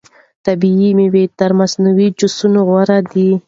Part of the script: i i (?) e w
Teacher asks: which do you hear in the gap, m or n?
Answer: m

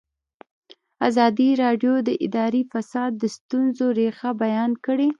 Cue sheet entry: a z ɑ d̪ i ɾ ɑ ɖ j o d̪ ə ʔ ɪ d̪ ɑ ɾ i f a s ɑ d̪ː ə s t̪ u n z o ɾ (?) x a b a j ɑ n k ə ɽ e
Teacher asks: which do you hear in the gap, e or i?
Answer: e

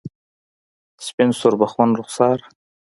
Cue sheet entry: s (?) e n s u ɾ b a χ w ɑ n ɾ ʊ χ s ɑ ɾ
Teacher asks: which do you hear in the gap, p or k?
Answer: p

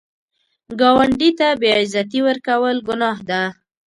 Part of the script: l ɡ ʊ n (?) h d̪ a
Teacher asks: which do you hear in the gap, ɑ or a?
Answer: ɑ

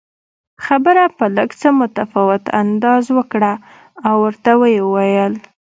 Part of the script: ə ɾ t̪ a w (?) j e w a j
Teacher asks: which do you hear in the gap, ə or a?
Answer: ə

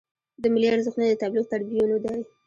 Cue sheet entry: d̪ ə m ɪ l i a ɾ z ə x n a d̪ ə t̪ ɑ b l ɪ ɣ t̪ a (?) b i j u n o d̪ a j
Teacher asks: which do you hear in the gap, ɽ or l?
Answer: ɽ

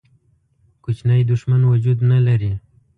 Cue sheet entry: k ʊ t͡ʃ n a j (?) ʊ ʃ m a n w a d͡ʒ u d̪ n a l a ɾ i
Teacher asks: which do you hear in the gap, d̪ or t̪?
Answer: d̪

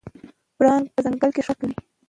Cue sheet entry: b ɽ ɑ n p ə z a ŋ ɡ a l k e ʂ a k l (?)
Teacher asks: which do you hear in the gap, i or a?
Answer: i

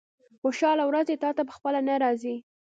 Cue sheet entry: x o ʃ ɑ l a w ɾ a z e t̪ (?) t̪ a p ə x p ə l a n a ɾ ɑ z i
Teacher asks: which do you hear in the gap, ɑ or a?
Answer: ɑ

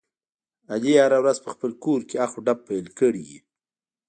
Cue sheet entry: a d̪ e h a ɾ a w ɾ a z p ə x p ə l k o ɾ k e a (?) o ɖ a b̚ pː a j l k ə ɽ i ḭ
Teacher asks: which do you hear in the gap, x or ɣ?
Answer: x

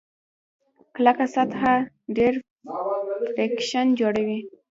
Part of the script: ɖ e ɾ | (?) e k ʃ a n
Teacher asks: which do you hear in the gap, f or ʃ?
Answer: f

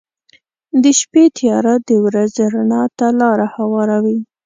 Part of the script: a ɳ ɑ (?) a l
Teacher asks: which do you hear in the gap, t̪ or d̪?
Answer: t̪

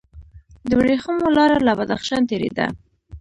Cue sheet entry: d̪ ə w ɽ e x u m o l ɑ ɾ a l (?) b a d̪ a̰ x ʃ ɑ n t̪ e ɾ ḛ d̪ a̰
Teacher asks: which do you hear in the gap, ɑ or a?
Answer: a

